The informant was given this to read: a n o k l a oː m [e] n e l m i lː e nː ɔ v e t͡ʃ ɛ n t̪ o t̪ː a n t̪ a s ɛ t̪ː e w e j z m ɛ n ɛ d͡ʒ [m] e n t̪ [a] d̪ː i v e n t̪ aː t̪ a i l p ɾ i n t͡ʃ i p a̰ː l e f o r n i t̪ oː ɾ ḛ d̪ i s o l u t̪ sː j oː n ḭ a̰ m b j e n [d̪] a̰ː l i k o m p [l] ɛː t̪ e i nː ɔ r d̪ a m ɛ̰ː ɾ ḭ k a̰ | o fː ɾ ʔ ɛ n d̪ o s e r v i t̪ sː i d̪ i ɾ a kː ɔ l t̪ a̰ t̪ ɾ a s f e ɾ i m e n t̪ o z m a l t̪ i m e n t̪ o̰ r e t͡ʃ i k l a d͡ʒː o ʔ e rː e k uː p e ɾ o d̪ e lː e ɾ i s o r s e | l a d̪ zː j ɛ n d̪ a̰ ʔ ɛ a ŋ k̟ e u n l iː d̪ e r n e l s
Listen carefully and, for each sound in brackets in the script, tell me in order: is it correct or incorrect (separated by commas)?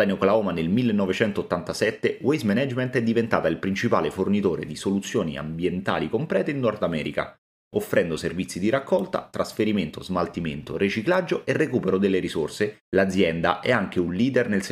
incorrect, correct, incorrect, incorrect, incorrect